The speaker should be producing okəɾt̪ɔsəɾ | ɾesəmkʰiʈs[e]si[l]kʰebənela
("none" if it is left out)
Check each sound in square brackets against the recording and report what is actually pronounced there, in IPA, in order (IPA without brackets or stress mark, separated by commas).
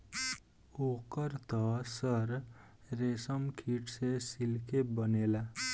e, l